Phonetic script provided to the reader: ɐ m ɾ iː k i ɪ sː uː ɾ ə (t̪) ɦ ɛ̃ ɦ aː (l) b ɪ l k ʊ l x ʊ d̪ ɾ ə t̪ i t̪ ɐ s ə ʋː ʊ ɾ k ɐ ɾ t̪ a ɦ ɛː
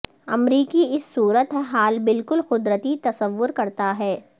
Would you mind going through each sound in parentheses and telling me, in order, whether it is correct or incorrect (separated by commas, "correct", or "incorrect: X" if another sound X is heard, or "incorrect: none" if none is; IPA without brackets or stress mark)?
correct, correct